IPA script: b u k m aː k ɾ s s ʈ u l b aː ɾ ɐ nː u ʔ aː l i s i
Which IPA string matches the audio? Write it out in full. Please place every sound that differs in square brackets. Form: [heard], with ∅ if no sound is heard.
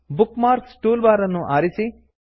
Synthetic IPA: b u k m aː [∅] ɾ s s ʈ [uː] l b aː ɾ ɐ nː u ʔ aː [ɾ] i s i